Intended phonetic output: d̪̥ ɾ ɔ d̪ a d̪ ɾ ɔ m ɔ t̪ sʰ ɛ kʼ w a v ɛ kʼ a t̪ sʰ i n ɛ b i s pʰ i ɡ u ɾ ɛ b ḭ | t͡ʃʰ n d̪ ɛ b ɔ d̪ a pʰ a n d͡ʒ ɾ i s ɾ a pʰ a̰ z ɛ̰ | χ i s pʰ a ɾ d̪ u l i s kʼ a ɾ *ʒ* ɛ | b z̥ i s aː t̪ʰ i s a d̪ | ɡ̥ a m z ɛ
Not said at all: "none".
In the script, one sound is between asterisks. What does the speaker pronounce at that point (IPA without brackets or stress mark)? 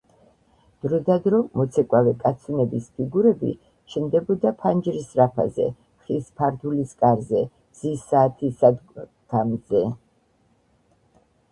z